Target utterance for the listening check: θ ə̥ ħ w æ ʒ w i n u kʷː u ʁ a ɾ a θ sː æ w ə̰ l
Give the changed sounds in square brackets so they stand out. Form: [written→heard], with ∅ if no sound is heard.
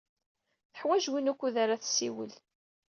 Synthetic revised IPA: θ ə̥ ħ w æ ʒ w i n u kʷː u [ʁ→ð] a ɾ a θ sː [æ→i] w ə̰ l